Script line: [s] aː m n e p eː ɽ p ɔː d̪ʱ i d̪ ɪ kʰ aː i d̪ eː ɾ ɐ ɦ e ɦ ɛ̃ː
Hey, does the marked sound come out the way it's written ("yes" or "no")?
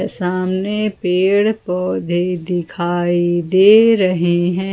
yes